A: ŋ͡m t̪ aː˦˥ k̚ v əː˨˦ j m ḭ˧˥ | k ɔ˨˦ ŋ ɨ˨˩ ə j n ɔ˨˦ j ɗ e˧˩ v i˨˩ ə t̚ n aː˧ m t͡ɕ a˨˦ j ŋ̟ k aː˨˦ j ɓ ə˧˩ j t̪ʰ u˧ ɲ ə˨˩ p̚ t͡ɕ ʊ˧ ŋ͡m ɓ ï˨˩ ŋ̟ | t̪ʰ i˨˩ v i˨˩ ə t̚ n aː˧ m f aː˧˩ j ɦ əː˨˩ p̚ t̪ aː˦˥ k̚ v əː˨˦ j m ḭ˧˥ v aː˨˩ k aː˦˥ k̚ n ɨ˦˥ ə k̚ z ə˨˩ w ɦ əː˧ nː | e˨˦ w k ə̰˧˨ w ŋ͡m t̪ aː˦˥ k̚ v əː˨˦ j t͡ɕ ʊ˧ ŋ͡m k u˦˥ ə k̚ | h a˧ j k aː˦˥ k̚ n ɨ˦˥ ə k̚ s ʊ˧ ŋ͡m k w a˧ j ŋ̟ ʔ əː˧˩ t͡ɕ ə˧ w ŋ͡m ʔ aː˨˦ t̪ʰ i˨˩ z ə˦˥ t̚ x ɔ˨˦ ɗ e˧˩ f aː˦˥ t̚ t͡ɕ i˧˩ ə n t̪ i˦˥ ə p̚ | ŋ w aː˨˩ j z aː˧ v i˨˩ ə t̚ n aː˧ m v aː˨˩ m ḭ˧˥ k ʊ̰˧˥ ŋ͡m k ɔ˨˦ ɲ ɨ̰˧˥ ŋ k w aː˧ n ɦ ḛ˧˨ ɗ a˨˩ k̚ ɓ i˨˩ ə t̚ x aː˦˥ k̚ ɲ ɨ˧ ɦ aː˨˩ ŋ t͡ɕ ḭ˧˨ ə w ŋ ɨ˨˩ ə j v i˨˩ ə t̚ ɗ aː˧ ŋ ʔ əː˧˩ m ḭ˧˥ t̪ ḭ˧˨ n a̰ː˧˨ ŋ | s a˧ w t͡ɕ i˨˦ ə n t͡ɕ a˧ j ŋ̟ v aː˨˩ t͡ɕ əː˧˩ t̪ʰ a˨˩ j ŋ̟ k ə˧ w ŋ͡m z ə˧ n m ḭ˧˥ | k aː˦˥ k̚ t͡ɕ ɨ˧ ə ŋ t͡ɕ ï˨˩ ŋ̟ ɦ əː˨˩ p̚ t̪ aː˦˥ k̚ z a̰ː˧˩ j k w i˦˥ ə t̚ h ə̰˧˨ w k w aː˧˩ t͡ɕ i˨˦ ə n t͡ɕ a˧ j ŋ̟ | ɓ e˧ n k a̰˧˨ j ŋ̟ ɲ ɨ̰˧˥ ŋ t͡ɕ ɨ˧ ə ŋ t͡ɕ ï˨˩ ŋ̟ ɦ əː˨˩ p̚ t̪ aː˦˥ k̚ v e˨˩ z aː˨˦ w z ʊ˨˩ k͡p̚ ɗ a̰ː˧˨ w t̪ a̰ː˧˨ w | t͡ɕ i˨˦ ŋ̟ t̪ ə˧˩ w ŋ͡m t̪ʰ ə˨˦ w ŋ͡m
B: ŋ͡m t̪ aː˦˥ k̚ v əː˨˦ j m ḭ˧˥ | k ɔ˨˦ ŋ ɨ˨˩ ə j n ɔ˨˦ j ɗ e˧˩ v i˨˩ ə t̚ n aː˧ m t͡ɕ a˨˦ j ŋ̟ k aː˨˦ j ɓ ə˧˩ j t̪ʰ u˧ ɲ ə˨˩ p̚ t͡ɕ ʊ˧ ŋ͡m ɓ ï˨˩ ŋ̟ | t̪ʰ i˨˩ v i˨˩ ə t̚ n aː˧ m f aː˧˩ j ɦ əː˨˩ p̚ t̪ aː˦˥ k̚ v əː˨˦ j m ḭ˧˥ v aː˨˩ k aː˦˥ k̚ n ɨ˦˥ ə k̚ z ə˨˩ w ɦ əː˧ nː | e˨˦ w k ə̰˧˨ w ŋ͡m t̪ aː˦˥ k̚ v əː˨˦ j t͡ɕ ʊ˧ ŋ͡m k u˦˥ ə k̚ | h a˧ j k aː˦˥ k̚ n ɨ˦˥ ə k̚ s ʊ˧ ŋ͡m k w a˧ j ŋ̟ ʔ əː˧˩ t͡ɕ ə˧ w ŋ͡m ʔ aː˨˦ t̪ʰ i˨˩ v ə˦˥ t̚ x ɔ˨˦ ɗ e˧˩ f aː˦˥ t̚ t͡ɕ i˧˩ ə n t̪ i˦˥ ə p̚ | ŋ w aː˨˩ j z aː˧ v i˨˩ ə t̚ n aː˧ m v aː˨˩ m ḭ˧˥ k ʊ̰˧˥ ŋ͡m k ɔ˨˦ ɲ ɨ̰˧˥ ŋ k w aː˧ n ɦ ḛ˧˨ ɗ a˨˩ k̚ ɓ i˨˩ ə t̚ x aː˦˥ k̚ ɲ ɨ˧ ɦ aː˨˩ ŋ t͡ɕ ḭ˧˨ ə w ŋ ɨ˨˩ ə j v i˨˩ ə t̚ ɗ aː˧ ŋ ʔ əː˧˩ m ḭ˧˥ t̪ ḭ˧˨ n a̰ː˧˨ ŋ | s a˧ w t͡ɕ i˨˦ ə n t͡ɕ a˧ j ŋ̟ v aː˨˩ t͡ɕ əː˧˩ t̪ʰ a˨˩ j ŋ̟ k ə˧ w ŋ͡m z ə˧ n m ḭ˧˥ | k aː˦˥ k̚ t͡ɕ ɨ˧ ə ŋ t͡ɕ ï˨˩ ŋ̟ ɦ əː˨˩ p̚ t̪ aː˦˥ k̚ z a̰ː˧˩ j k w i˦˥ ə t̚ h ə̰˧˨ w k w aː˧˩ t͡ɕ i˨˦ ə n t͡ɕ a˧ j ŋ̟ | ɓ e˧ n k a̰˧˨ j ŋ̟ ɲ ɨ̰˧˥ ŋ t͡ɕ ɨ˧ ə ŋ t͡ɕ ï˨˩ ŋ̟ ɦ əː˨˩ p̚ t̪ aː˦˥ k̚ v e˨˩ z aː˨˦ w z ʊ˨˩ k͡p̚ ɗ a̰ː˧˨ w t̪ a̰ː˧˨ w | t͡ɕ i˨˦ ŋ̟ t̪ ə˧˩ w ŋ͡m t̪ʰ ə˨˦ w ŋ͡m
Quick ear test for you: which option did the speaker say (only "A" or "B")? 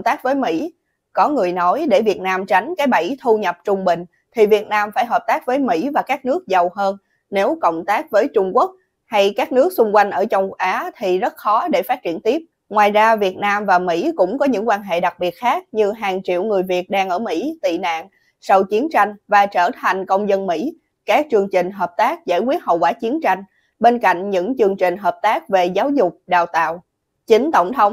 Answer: A